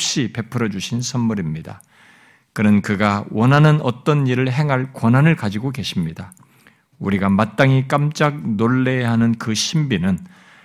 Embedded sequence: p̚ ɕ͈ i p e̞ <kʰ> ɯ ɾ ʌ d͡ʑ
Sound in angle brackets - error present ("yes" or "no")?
yes